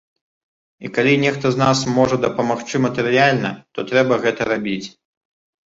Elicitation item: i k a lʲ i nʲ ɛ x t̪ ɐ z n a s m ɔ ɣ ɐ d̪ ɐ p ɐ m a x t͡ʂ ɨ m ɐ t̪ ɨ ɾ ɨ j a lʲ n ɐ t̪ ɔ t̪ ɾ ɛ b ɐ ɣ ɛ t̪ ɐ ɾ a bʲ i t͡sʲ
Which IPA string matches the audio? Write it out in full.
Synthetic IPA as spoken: i k a lʲ i nʲ ɛ x t̪ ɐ z n a s m ɔ ʐ ɐ d̪ ɐ p ɐ m a x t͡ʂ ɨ m ɐ t̪ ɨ ɾ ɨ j a lʲ n ɐ t̪ ɔ t̪ ɾ ɛ b ɐ ɣ ɛ t̪ ɐ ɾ a bʲ i t͡sʲ